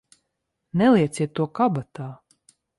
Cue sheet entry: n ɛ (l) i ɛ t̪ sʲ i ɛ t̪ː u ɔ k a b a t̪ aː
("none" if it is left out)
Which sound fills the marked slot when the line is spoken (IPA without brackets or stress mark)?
l